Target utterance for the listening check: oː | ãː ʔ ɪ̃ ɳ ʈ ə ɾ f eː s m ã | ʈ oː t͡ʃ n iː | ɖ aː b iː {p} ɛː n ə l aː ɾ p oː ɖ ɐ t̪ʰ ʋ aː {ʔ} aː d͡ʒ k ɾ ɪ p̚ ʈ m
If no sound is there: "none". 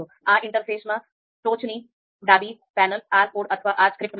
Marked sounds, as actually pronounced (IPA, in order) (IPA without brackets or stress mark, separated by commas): p, ʔ